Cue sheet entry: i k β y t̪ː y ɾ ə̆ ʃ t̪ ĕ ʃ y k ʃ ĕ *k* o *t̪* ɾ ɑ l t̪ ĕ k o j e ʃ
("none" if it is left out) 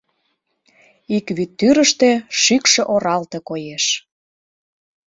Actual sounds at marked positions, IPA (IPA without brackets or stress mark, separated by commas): ʔ, none